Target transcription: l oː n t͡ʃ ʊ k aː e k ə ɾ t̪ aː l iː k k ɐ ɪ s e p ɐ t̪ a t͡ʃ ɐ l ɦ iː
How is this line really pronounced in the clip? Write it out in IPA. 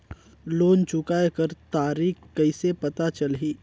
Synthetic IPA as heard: l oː n t͡ʃ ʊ k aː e k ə ɾ t̪ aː ɾ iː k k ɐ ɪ s e p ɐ t̪ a t͡ʃ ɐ l ɦ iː